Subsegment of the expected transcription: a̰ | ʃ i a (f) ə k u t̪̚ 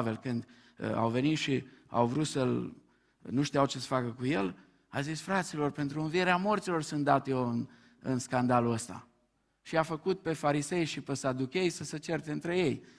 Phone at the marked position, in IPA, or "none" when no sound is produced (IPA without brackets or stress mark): f